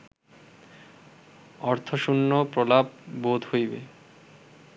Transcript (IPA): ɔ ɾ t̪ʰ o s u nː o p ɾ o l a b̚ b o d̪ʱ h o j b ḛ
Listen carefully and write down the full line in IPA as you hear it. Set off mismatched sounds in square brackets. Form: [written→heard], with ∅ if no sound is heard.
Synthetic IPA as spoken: ɔ ɾ t̪ʰ o [s→ʃ] u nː o p ɾ o l a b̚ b o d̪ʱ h o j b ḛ